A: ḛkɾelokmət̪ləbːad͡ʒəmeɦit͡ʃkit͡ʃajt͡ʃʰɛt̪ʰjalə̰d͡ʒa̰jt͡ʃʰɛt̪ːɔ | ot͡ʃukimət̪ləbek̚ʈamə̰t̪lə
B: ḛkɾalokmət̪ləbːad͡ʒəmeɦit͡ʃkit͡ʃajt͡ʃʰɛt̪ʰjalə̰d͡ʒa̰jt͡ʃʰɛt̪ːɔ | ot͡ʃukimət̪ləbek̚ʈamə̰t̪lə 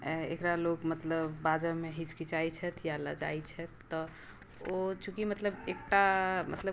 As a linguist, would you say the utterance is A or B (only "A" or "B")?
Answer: B